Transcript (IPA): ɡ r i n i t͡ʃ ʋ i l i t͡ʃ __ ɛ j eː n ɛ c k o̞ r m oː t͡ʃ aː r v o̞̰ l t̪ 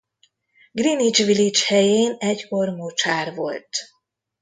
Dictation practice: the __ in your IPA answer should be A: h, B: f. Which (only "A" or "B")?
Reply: A